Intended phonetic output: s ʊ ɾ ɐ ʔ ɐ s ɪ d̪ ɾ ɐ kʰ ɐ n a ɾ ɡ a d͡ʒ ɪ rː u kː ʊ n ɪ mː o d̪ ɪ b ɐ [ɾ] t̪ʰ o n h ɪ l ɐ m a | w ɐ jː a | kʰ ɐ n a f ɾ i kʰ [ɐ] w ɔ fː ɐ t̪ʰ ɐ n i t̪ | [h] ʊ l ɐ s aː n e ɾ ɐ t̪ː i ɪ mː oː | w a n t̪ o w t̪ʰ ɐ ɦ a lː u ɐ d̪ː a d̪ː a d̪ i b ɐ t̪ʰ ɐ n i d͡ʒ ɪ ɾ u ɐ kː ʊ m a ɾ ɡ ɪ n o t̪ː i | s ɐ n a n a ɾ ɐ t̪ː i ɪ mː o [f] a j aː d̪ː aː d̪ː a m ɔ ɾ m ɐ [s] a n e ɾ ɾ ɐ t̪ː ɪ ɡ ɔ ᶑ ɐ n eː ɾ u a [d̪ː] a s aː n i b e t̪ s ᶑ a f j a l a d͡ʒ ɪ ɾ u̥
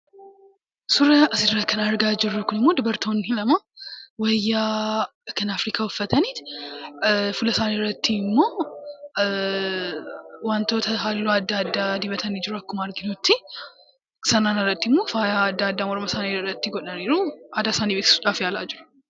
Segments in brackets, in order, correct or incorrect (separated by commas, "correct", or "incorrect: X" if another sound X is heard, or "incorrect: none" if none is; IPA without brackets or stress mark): correct, incorrect: a, incorrect: f, correct, correct, incorrect: d̪